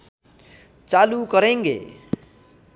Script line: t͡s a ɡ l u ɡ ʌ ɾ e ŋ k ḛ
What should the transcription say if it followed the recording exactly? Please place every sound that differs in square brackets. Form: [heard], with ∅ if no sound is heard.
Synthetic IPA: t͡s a [∅] l u [k] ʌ ɾ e ŋ [ɡ] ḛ